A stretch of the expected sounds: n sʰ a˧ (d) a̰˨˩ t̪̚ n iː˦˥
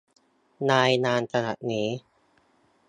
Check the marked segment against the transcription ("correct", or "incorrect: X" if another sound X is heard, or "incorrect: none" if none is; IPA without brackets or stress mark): incorrect: n